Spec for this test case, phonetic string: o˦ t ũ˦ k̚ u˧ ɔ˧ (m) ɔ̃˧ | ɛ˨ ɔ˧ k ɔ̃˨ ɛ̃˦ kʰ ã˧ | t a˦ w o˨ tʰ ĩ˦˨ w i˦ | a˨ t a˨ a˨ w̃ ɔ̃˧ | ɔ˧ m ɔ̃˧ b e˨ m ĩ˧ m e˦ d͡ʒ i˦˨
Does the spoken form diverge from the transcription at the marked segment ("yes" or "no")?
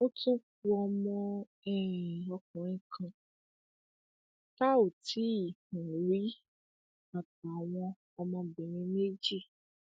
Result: no